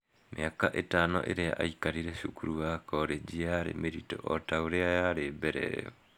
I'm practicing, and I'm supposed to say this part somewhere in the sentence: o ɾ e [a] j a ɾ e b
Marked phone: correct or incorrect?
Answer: correct